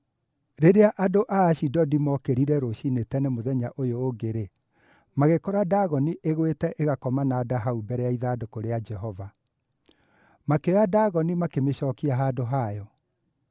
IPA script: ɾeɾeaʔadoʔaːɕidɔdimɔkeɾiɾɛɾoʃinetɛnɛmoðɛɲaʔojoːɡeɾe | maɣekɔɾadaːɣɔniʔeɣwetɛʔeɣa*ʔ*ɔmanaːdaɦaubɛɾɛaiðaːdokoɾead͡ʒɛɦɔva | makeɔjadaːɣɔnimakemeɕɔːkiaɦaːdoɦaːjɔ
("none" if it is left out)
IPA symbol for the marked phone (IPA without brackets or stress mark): k